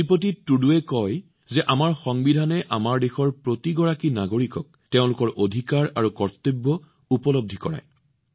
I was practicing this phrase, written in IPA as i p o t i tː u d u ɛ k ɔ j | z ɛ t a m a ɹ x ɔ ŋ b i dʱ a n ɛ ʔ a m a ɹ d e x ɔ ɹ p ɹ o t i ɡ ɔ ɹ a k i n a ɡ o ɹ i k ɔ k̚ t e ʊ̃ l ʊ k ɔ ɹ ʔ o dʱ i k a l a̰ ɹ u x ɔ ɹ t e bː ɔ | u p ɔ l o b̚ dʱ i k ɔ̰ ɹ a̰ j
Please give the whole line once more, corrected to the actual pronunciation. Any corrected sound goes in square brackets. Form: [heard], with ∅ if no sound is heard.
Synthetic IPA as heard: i p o t i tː u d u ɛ k ɔ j | z ɛ [ʔ] a m a ɹ x ɔ ŋ b i dʱ a n ɛ ʔ a m a ɹ d e x ɔ ɹ p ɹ o t i ɡ ɔ ɹ a k i n a ɡ o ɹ i k ɔ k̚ t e ʊ̃ l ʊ k ɔ ɹ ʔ o dʱ i k a [ɹ] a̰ ɹ u [k] ɔ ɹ t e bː ɔ | u p ɔ l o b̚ dʱ i k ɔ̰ ɹ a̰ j